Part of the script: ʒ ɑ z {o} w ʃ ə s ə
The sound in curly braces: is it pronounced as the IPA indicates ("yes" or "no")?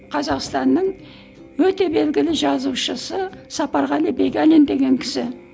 no